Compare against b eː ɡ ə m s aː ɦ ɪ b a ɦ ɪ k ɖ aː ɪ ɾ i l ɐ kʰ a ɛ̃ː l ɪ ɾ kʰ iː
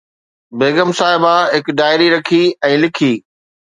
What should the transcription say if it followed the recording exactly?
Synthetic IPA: b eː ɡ ə m s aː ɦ ɪ b a ɦ ɪ k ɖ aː ɪ ɾ i ɾ ɐ kʰ i ɛ̃ː l ɪ kʰ iː